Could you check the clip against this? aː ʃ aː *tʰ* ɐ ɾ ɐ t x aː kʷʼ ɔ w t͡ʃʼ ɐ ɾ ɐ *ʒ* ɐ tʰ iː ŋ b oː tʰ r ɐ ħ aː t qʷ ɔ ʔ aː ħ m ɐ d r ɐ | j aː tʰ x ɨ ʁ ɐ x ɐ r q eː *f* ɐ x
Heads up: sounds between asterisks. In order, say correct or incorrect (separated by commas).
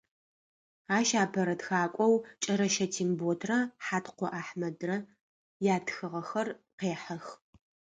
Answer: incorrect, incorrect, incorrect